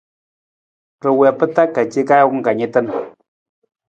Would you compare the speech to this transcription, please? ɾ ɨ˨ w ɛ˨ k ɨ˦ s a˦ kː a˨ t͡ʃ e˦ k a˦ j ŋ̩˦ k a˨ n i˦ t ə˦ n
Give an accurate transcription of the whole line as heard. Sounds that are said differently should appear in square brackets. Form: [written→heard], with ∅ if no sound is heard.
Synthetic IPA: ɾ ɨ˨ w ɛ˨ [k→p] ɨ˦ [s→t] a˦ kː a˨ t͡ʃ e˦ k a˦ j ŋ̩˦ k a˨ [n→ɲ] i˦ t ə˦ n